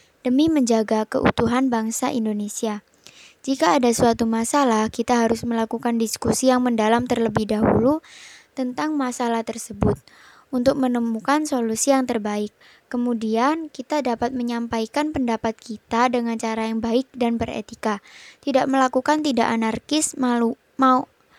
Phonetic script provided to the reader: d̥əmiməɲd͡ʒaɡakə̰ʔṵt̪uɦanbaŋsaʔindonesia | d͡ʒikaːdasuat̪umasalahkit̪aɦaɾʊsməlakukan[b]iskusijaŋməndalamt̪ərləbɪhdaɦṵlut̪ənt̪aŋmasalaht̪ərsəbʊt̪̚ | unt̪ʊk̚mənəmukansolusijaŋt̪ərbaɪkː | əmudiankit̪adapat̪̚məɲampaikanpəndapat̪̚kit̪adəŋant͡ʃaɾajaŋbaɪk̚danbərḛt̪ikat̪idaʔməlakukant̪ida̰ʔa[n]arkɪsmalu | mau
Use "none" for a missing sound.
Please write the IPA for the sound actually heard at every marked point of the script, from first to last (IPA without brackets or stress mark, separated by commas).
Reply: d, n